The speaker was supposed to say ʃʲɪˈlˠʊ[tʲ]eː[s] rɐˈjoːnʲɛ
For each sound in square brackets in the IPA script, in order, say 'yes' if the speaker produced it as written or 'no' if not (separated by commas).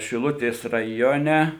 yes, yes